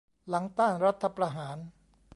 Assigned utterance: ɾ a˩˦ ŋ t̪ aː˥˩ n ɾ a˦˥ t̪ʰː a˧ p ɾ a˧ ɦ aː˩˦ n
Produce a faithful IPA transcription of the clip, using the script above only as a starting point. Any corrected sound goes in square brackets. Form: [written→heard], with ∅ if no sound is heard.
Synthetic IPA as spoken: [ɾ→l] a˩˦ ŋ t̪ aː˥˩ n ɾ a˦˥ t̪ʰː a˧ p ɾ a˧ ɦ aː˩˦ n